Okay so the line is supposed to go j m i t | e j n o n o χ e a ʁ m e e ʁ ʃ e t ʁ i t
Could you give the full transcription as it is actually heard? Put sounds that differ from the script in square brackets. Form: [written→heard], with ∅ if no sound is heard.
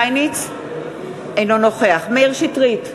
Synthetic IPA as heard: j [m→n] i [t→t͡s] | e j n o n o χ e a [ʁ→χ] m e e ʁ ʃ [e→i] t ʁ i t